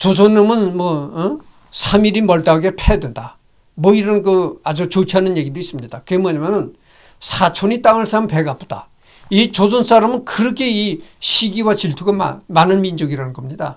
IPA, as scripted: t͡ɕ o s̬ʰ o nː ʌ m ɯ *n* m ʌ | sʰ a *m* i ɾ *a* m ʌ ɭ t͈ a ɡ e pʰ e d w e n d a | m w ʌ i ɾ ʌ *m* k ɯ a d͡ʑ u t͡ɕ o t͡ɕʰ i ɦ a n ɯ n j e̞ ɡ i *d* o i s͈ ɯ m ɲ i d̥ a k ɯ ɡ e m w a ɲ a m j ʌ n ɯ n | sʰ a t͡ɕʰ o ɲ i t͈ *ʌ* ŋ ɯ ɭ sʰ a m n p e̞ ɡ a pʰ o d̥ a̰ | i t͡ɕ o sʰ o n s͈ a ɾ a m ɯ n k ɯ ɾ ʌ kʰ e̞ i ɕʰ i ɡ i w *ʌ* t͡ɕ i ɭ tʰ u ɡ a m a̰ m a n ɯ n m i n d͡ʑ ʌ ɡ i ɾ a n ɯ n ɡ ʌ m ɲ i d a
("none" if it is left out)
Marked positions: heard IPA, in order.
n, m, i, n, d, a, a

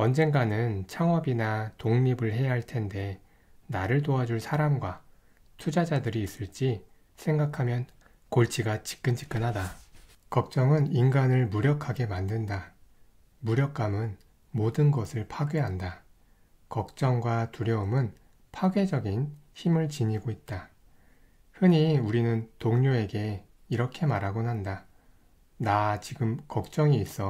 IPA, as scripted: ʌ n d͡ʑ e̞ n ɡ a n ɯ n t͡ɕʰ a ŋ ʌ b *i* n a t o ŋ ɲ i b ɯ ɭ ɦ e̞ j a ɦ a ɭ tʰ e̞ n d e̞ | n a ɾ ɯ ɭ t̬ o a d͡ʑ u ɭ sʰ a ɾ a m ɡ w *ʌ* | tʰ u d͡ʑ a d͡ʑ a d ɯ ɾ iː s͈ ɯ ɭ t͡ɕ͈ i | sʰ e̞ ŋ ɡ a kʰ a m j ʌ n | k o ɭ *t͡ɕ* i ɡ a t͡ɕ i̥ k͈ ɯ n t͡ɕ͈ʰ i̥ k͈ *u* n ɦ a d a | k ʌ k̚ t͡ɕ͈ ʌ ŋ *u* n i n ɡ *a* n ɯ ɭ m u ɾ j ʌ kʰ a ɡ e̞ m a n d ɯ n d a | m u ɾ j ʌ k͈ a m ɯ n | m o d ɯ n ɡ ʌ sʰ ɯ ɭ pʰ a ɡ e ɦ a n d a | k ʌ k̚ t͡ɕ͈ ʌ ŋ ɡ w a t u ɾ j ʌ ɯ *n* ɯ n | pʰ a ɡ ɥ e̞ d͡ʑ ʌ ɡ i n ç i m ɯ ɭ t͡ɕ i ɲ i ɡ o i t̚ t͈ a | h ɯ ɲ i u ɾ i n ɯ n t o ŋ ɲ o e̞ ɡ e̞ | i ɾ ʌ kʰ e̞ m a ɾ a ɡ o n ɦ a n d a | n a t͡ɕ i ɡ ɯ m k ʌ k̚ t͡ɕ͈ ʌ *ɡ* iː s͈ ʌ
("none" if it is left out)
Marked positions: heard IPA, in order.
i, a, t͡ɕʰ, ɯ, ɯ, a, m, ŋ

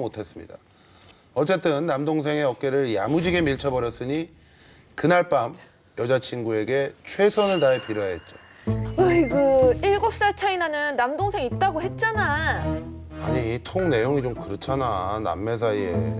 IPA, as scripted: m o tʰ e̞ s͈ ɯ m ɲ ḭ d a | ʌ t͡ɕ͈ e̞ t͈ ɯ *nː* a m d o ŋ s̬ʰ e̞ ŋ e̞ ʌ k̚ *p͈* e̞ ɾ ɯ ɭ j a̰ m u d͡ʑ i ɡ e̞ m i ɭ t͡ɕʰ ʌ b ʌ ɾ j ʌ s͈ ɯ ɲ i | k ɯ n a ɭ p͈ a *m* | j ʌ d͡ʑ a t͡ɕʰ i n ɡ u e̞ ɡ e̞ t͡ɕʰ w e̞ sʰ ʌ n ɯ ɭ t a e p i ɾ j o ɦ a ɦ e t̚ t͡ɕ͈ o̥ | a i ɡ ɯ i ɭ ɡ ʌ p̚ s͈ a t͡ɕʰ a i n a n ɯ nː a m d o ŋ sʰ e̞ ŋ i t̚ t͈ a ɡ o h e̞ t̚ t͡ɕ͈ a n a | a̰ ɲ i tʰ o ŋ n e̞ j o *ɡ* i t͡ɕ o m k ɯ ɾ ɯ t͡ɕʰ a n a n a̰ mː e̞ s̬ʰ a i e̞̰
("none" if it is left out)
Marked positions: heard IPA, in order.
nː, k͈, m, ŋ

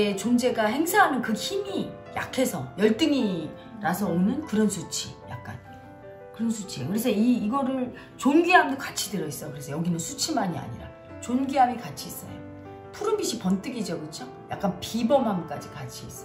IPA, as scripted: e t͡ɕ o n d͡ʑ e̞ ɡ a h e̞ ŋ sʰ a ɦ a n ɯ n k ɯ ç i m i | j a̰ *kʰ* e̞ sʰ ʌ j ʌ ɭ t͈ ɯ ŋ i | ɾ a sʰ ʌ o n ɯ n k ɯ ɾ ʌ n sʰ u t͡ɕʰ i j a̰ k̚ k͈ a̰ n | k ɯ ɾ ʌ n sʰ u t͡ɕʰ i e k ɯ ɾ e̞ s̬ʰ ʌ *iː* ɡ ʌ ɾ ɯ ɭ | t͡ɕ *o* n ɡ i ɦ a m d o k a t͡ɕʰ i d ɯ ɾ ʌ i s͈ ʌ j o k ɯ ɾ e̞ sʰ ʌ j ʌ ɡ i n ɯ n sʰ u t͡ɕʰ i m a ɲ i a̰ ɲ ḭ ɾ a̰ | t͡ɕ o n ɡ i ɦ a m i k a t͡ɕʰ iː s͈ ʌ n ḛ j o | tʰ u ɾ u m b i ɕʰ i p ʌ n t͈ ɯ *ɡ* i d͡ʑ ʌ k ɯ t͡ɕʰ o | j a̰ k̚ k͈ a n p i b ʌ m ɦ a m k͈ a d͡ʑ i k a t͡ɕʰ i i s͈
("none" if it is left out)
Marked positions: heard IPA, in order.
kʰ, iː, o, ɡ

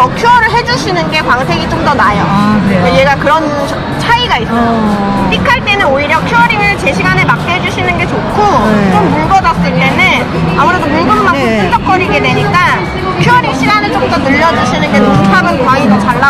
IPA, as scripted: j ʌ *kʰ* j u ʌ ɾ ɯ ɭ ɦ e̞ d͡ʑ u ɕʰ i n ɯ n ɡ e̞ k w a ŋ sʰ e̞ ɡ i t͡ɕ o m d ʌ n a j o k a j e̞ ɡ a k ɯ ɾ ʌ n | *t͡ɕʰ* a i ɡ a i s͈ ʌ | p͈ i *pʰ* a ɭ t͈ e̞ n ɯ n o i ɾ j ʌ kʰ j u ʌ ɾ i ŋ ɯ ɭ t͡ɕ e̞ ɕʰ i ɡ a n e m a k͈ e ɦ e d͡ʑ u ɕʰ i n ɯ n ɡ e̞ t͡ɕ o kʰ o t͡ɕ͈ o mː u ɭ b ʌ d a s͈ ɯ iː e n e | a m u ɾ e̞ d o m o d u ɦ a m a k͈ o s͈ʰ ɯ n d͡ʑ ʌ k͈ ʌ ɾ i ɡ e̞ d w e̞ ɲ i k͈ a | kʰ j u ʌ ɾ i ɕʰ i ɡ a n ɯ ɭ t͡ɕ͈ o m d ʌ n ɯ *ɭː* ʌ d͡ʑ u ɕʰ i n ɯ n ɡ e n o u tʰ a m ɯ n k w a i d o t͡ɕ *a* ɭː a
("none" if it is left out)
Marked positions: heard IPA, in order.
kʰ, t͡ɕʰ, kʰ, ʎː, a

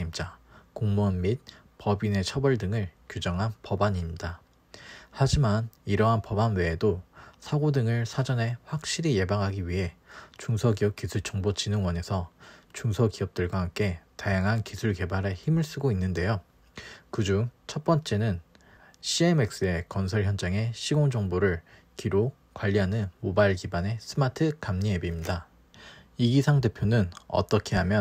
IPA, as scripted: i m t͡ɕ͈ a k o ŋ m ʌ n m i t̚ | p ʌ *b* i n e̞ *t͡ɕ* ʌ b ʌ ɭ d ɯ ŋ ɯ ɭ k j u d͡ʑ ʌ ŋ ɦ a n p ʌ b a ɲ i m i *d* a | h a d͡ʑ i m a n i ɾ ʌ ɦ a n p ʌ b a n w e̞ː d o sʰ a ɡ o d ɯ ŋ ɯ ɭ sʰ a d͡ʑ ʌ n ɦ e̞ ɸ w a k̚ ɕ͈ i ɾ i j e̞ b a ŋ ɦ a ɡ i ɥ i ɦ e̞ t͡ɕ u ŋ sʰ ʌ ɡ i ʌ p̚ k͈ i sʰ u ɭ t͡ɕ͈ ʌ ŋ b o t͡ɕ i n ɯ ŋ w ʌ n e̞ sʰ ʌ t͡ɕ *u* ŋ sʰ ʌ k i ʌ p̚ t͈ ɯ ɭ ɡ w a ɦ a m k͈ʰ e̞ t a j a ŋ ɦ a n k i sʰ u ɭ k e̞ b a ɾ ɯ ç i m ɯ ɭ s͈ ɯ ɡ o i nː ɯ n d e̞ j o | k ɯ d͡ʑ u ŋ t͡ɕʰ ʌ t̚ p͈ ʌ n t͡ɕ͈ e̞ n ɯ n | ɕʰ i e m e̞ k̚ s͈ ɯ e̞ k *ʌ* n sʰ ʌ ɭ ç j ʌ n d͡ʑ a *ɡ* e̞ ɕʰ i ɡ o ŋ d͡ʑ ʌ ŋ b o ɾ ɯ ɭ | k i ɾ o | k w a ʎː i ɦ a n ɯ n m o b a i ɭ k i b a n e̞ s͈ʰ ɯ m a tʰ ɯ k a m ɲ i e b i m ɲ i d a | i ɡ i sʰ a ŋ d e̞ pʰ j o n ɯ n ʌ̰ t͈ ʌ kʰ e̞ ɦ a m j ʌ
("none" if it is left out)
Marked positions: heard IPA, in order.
b, t͡ɕʰ, d, u, ʌ, ŋ

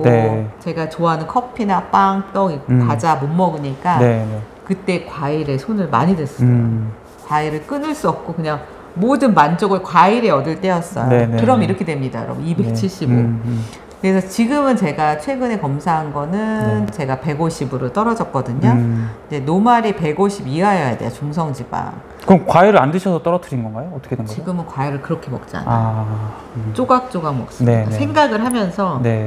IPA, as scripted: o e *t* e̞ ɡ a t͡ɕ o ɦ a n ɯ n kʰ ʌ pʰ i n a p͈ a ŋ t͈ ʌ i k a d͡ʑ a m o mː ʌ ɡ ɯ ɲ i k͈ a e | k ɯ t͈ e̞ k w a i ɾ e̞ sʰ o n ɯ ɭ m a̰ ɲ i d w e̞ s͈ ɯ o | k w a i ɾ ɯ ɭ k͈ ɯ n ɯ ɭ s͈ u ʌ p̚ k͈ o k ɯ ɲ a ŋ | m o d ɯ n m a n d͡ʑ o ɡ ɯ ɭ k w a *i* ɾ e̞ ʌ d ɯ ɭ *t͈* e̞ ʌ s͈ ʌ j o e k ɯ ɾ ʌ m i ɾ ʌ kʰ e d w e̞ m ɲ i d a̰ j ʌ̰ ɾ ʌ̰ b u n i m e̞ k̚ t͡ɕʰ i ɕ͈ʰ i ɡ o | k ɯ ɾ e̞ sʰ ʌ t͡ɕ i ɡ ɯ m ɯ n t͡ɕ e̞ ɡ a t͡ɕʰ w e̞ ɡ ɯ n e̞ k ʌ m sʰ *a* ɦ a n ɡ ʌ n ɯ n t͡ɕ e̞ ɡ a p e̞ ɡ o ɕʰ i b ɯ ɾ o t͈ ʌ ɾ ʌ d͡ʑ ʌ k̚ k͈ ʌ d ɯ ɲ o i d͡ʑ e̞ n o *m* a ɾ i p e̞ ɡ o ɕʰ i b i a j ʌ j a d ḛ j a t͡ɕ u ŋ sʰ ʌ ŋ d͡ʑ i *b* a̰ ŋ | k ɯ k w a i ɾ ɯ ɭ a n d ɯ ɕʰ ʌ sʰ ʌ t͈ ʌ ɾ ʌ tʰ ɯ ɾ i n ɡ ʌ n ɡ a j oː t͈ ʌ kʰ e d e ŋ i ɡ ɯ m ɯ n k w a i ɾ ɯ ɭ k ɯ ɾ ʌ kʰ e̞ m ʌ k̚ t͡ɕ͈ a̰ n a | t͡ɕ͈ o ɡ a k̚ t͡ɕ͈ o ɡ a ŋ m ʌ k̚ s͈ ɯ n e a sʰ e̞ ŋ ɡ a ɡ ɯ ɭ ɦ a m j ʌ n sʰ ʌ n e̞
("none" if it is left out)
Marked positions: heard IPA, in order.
t͡ɕ, i, t͈, a, m, b

